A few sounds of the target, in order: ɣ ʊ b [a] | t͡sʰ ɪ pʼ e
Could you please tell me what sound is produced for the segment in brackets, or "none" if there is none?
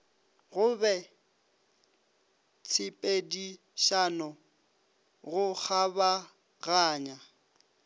ɛ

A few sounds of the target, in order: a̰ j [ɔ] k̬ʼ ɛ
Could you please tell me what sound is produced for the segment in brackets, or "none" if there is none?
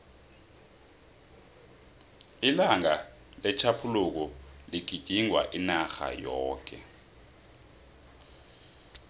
ɔː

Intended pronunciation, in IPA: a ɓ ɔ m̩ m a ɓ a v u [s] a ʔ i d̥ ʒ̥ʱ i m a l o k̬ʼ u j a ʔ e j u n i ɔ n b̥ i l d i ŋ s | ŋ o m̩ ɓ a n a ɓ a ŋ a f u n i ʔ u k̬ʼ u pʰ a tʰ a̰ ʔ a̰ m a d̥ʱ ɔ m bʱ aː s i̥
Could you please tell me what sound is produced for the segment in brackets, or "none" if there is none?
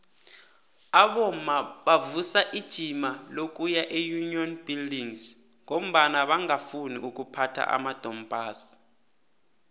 s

